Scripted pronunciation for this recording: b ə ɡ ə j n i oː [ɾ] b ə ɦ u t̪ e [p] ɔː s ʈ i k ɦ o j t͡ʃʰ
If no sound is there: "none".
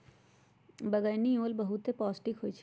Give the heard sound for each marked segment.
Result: l, p

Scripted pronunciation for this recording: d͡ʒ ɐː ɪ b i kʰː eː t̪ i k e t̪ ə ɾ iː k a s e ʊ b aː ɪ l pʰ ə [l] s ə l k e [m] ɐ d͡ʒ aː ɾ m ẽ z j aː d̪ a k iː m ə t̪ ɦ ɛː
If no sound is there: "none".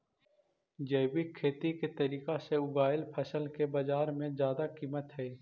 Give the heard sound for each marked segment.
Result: none, b

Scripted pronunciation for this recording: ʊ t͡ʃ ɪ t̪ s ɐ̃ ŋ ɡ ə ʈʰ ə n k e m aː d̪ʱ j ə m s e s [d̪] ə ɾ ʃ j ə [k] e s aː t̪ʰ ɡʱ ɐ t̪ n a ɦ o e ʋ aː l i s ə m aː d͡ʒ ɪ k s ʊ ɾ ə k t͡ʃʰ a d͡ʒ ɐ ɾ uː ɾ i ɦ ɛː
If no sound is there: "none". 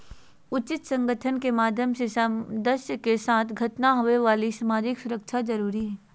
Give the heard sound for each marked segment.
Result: d̪, k

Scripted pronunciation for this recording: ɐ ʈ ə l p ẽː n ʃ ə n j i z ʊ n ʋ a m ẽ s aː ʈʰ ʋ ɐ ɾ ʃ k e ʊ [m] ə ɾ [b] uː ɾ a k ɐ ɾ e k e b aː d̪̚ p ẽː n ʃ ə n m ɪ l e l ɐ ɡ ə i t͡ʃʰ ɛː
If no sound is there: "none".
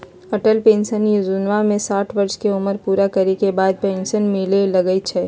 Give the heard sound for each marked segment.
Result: m, p

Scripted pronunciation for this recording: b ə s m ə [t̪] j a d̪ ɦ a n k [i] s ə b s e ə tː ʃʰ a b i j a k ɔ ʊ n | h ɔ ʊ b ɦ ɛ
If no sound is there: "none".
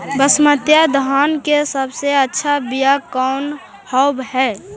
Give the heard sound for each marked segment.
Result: t̪, e

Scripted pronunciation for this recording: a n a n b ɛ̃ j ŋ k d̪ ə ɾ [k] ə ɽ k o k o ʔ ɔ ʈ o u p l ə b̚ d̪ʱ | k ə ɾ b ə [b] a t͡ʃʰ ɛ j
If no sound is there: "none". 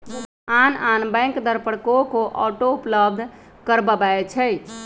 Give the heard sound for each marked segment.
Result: p, b

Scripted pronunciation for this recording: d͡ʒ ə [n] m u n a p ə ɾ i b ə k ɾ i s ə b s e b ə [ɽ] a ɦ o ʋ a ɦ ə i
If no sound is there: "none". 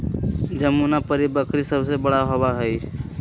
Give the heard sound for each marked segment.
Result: none, ɽ

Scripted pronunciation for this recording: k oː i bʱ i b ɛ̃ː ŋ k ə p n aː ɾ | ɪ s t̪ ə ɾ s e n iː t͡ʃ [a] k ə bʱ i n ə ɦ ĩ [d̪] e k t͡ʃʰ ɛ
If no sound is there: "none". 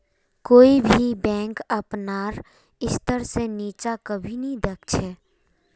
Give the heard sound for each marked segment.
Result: a, d̪

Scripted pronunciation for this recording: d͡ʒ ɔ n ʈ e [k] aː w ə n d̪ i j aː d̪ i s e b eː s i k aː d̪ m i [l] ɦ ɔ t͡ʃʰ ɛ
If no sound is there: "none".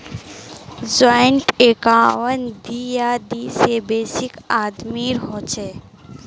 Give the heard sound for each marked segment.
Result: k, ɾ

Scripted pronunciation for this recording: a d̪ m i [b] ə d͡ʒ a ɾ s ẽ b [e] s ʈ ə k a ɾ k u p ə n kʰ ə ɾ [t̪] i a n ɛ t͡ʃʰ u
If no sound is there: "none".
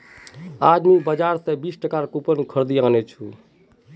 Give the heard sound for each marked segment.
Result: b, i, d̪

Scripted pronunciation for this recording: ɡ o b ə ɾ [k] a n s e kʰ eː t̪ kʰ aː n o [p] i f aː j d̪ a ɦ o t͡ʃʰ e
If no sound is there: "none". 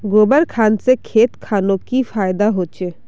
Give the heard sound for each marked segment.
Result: kʰ, k

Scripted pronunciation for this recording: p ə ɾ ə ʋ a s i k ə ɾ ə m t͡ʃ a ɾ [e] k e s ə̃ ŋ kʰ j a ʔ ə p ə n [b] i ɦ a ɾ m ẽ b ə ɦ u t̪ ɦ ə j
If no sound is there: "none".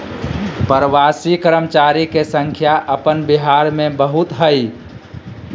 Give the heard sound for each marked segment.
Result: i, b

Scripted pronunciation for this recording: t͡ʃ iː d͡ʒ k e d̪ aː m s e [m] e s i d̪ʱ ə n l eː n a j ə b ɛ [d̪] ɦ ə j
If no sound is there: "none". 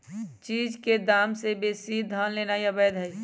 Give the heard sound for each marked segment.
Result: b, d̪

